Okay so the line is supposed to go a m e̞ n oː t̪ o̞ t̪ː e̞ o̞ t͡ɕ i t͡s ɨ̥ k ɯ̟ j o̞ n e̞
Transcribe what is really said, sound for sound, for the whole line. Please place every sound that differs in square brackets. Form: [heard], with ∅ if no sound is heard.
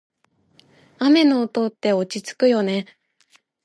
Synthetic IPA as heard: a m e̞ n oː t̪ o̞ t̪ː e̞ o̞ t͡ɕ i t͡s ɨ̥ k ɯ̟ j o̞ n e̞

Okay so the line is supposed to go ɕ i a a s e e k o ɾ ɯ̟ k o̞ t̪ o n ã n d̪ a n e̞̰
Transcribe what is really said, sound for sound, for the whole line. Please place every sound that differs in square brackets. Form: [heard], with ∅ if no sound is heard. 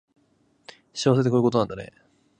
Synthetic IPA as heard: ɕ i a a s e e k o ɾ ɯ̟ k o̞ t̪ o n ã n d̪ a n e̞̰

